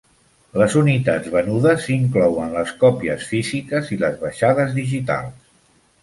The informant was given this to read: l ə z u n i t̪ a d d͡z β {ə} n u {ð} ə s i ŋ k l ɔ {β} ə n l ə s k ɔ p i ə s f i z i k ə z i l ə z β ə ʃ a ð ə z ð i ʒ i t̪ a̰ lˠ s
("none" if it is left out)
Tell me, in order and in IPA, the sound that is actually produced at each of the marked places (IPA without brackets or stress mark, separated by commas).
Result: ə, ð, w